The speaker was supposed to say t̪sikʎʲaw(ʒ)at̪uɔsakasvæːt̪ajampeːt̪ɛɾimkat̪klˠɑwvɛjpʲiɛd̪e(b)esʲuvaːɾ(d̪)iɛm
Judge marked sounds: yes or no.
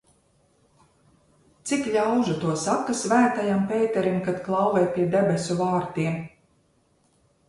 yes, yes, no

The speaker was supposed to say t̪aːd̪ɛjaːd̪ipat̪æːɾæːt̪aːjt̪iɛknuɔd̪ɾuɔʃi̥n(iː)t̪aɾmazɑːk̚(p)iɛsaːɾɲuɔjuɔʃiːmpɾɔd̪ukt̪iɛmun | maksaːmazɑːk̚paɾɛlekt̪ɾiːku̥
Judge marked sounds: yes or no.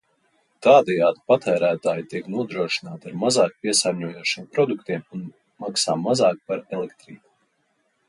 no, yes

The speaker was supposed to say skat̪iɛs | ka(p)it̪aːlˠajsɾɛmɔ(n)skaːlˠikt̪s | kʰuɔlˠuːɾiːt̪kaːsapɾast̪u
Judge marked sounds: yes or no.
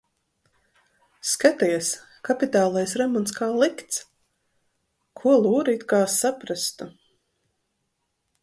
yes, yes

